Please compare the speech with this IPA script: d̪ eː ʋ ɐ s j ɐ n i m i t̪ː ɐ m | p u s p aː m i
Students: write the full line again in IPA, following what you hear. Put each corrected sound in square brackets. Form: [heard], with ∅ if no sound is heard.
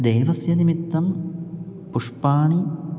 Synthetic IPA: d̪ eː ʋ ɐ s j ɐ n i m i t̪ː ɐ m | p u [ʂ] p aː [ɳ] i